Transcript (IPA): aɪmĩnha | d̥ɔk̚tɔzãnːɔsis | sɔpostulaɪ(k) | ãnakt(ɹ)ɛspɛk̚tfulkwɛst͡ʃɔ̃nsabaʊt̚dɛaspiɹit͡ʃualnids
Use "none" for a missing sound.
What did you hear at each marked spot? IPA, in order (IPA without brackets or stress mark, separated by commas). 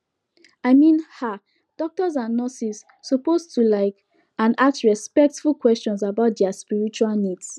k, ɹ